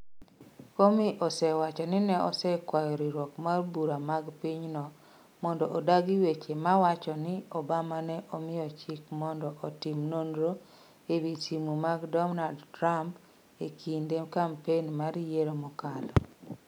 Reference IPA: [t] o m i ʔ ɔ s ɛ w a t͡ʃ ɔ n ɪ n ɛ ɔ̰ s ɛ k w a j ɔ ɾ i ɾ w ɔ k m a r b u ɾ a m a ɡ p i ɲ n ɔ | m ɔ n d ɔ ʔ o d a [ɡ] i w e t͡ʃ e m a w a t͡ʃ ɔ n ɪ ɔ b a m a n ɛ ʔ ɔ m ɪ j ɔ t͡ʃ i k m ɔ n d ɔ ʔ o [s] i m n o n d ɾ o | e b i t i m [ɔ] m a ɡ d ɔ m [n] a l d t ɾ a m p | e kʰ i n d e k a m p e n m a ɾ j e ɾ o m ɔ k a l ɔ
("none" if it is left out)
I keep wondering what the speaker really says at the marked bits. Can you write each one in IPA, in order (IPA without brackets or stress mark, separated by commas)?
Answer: k, ɡ, t, u, n